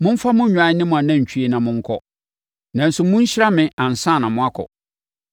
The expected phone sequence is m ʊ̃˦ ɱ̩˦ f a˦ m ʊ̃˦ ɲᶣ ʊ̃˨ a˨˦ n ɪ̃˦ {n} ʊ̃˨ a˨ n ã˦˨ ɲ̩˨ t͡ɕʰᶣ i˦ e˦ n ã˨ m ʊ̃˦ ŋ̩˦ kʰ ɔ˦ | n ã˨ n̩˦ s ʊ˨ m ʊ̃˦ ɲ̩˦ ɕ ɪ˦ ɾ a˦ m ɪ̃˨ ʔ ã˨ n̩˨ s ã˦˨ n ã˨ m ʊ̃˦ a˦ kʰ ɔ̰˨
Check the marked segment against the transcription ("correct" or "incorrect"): incorrect